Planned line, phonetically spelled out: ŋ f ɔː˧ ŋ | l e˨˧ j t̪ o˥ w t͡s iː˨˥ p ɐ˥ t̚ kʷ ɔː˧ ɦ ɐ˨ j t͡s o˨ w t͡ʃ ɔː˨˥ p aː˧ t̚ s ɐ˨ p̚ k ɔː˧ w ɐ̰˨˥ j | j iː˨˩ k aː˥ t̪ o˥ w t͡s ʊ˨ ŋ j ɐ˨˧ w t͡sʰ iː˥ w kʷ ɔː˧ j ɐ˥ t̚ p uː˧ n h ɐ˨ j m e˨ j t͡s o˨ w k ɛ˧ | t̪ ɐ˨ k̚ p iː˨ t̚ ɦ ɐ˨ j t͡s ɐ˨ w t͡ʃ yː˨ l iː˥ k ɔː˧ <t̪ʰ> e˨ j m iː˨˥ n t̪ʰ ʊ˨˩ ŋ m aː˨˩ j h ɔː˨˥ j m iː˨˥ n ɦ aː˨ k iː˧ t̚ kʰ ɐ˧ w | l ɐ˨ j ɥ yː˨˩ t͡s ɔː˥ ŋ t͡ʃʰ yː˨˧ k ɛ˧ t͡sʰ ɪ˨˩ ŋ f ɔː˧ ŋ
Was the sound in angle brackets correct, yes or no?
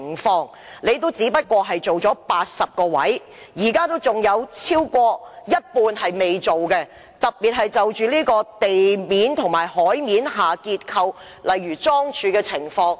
no